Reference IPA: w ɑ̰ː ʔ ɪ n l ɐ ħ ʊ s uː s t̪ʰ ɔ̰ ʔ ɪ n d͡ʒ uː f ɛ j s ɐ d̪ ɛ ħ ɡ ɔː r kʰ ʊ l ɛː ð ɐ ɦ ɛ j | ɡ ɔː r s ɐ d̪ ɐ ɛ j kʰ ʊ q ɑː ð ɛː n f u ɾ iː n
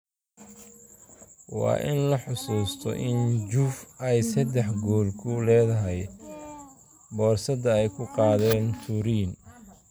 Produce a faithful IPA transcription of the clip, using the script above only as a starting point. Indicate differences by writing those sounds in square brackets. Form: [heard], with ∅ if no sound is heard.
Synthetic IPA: w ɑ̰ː ʔ ɪ n l ɐ ħ ʊ s uː s t̪ʰ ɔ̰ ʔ ɪ n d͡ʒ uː f ɛ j s ɐ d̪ ɛ ħ ɡ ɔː [l] kʰ ʊ l ɛː ð ɐ ɦ ɛ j | [b] ɔː r s ɐ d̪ ɐ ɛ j kʰ ʊ q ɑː ð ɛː n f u ɾ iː n